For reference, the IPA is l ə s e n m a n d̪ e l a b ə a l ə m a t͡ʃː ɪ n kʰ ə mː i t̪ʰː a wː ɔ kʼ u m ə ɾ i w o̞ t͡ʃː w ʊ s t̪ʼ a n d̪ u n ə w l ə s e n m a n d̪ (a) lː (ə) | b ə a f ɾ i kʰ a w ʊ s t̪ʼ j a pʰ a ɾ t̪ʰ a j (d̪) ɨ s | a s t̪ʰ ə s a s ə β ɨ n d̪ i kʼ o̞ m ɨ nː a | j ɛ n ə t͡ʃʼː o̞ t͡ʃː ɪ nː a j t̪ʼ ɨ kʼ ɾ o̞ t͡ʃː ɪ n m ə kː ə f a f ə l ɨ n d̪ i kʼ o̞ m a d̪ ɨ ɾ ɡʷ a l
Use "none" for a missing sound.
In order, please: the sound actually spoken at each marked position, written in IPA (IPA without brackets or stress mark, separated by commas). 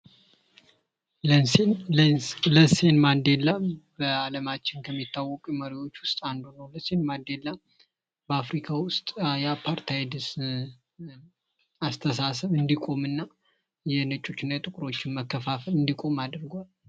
e, a, d̪